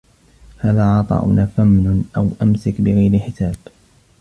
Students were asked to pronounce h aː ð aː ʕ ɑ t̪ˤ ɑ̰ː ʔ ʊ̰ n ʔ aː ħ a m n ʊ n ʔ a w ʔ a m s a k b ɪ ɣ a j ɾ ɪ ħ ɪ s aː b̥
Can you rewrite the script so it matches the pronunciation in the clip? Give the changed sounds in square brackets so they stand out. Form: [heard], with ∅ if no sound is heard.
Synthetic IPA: h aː ð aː ʕ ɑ t̪ˤ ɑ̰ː ʔ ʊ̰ n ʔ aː [f] a m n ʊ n ʔ a w ʔ a m s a k b ɪ ɣ a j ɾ ɪ ħ ɪ s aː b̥